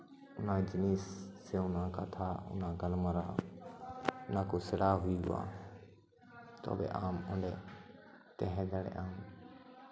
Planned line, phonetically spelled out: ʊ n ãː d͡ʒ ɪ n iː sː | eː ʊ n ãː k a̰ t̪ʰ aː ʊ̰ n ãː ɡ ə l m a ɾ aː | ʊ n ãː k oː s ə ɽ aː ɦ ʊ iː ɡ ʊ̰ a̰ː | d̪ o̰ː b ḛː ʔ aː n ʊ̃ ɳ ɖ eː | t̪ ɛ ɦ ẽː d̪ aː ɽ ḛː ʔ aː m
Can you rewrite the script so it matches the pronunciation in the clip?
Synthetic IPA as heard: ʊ n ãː d͡ʒ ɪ n iː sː | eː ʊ n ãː k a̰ t̪ʰ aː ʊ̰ n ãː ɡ ə l m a ɾ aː | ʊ n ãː k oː s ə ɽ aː ɦ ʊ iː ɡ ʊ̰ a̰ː | t̪ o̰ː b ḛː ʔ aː m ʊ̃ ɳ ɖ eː | t̪ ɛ ɦ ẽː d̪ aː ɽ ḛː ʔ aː m